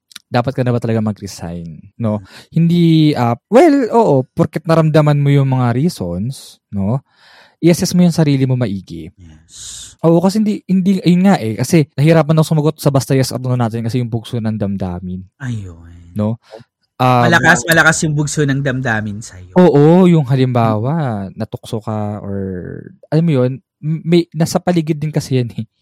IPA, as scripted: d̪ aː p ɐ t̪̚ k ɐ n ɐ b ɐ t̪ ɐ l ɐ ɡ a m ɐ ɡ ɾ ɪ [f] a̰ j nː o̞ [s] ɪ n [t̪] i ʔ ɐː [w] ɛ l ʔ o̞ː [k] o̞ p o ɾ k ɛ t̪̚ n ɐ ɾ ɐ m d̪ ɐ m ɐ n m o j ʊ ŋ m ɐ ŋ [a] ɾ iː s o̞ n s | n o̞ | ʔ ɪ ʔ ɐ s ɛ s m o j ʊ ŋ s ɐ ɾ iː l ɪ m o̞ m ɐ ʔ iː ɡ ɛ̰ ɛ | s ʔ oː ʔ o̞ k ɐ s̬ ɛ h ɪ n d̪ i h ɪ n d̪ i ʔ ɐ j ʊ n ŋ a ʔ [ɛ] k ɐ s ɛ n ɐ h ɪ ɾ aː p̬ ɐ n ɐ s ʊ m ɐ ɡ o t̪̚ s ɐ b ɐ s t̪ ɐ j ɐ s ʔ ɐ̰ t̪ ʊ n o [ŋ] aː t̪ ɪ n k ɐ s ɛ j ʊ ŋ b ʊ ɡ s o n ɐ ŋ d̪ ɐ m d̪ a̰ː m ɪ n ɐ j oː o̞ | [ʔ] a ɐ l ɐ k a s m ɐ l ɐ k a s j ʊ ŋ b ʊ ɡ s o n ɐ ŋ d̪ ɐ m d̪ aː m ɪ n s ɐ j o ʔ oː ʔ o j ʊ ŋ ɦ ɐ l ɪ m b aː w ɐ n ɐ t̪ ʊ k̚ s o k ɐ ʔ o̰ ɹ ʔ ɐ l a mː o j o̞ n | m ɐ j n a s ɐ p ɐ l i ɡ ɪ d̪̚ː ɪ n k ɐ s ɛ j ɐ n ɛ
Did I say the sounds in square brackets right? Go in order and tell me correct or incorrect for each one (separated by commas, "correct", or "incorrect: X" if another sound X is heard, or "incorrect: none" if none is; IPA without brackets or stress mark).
incorrect: s, incorrect: h, incorrect: d̪, correct, incorrect: ʔ, correct, correct, incorrect: n, correct